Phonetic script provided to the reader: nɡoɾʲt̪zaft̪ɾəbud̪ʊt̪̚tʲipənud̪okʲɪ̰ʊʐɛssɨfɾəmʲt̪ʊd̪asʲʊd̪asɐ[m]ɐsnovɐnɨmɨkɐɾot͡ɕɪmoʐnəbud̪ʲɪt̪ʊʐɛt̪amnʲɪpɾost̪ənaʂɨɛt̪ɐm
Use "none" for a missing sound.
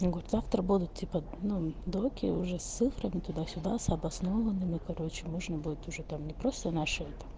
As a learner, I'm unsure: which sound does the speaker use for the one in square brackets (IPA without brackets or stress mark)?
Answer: b